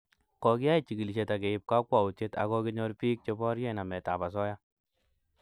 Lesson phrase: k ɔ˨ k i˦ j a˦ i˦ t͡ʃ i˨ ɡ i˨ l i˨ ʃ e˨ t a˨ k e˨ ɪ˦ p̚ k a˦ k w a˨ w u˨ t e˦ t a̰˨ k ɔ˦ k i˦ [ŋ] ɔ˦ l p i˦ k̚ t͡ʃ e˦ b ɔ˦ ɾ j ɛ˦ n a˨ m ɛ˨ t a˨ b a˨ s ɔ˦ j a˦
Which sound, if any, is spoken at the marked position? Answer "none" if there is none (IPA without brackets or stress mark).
ɲ